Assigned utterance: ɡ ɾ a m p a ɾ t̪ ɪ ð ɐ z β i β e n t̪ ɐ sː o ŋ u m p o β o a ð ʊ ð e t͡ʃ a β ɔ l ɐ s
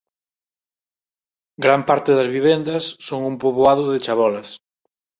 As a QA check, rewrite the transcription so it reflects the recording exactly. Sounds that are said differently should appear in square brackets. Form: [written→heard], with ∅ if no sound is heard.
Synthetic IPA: ɡ ɾ a m p a ɾ t̪ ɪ ð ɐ z β i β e n [t̪→d̪] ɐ sː o ŋ u m p o β o a ð ʊ ð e t͡ʃ a β ɔ l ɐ s